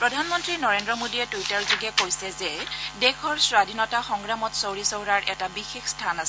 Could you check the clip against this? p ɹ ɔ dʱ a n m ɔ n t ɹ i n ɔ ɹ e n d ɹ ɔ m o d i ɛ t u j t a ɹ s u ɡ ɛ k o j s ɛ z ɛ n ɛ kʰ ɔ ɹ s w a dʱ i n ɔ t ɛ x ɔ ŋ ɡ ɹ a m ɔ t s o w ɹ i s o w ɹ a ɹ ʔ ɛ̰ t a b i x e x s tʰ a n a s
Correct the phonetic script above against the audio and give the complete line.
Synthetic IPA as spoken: p ɹ ɔ dʱ a n m ɔ n t ɹ i n ɔ ɹ e n d ɹ ɔ m o d i ɛ t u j t a ɹ z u ɡ ɛ k o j s ɛ z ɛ d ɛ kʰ ɔ ɹ s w a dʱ i n ɔ t a x ɔ ŋ ɡ ɹ a m ɔ t s o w ɹ i s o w ɹ a ɹ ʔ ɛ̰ t a b i x e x s tʰ a n a s